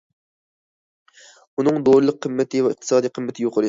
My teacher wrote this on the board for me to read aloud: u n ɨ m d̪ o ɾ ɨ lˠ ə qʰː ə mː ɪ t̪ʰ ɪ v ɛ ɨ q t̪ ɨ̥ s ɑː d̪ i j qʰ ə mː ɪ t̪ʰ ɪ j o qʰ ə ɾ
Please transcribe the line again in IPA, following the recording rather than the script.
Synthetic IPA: u n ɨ ŋ d̪ o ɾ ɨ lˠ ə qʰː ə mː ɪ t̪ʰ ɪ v ɛ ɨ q t̪ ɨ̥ s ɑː d̪ i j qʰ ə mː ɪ t̪ʰ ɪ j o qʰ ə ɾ